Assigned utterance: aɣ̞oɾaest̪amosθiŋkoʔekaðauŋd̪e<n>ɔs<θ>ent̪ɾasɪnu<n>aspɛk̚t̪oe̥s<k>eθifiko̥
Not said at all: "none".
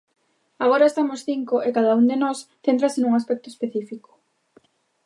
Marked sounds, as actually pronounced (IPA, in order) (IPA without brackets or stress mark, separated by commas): n, θ, ŋ, p